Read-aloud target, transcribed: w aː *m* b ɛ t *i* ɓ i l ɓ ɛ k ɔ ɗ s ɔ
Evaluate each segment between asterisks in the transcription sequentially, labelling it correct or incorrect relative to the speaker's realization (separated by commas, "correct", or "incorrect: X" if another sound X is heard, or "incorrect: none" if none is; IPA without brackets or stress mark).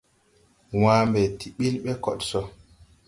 correct, correct